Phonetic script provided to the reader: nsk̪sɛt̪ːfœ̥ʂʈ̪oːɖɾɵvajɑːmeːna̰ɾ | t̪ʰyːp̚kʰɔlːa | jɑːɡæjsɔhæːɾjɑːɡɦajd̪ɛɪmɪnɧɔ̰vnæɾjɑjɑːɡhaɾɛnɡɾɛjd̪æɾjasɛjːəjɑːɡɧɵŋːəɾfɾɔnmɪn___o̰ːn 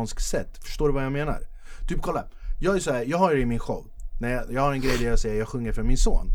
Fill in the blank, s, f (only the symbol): s